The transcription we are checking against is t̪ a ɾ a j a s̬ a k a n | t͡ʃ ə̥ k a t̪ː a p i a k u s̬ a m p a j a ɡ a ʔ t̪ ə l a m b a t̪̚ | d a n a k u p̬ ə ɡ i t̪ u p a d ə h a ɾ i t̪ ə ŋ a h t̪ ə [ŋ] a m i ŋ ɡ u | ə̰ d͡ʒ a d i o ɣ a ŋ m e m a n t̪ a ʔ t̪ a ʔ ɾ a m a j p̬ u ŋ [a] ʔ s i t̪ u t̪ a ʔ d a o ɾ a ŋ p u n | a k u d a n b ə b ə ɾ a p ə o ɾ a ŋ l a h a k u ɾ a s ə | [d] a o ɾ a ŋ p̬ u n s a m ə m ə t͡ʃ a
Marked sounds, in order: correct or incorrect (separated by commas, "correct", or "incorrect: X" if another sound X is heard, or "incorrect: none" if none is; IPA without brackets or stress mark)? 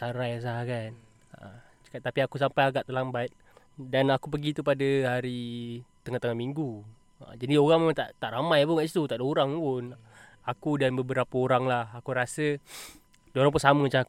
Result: correct, correct, correct